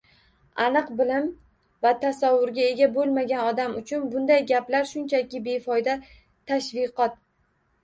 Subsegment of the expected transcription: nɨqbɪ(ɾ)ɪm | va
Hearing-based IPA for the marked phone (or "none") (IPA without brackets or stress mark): l